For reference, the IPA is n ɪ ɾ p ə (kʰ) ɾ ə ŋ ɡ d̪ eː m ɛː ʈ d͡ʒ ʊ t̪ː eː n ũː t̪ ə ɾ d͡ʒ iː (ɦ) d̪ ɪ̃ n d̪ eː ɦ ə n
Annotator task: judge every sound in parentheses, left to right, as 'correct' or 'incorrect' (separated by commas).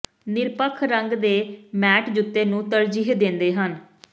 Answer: correct, correct